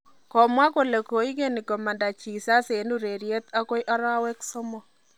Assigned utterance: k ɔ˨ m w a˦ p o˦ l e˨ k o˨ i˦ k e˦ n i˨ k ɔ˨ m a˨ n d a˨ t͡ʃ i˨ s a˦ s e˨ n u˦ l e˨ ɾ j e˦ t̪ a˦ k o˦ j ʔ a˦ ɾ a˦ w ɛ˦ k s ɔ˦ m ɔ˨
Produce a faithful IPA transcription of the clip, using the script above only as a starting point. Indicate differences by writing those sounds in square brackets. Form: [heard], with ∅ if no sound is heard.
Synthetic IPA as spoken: k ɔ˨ m w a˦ [k] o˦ l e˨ k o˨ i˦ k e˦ n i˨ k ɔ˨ m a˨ n d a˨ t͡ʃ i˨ s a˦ s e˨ n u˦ [ɾ] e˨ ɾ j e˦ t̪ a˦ k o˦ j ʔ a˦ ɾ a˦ w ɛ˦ k s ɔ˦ m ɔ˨